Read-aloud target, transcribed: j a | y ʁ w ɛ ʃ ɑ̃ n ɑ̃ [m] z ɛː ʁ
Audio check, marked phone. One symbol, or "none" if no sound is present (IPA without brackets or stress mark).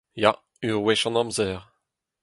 m